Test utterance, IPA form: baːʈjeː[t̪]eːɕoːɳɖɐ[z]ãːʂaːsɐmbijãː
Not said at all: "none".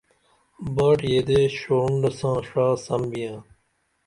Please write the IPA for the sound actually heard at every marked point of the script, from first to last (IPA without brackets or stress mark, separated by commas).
d̪, s